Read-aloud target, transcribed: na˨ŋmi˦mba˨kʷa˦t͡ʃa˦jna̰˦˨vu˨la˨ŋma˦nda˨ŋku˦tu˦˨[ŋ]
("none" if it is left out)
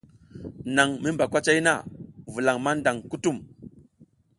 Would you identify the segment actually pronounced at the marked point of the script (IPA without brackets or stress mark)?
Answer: m